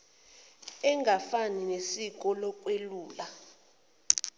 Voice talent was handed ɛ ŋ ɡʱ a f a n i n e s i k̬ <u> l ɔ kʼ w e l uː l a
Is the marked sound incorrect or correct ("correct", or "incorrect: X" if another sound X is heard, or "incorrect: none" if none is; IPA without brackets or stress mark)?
incorrect: ɔ